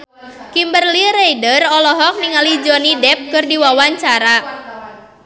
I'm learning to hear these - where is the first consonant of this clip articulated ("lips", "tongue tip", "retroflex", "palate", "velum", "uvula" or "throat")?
velum